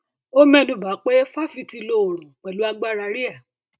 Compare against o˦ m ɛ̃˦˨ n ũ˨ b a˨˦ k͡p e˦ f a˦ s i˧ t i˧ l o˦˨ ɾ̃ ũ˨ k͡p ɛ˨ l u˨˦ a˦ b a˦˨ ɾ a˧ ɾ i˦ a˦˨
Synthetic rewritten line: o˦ m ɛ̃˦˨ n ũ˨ b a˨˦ k͡p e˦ f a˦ f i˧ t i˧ l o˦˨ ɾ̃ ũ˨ k͡p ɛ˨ l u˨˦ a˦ ɡ͡b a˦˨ ɾ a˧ ɾ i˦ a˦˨